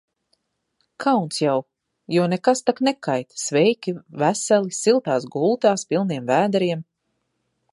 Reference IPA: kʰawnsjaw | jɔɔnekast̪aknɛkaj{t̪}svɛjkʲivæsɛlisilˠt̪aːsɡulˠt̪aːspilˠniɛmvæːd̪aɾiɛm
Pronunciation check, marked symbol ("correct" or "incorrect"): correct